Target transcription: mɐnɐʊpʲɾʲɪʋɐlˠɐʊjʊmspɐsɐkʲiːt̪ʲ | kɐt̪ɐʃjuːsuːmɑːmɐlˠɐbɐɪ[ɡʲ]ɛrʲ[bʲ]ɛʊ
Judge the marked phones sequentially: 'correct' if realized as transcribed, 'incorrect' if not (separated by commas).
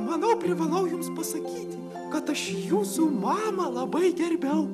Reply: correct, correct